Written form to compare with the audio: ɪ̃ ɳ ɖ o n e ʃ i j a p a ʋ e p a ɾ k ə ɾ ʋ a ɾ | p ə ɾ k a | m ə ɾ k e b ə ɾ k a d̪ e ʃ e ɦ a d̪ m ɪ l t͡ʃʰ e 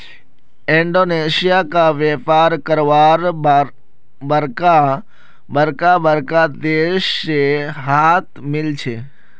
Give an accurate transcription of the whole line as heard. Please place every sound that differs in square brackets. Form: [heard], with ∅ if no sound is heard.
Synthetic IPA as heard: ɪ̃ ɳ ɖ o n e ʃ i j a [k] a ʋ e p a ɾ k ə ɾ ʋ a ɾ | [b] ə ɾ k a | [b] ə ɾ k [a] b ə ɾ k a d̪ e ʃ e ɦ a [t̪] m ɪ l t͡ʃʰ e